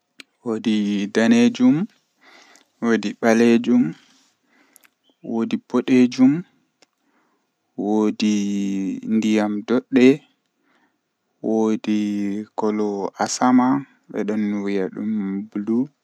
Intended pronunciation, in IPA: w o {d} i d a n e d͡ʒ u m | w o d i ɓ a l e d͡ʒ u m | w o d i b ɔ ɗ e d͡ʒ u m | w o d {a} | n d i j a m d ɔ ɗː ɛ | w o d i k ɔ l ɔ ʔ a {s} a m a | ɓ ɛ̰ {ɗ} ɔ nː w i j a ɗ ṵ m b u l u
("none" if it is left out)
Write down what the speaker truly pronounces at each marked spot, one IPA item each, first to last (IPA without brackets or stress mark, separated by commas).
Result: d, i, s, ɗ